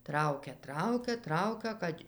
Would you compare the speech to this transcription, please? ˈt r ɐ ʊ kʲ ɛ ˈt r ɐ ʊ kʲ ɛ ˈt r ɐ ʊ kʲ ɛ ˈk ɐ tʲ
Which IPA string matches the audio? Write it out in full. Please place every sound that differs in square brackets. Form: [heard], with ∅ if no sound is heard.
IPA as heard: ˈt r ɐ ʊ kʲ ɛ ˈt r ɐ ʊ kʲ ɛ ˈt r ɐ ʊ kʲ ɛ ˈk ɐ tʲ